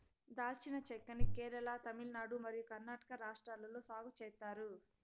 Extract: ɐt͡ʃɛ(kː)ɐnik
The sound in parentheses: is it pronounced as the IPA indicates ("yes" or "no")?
yes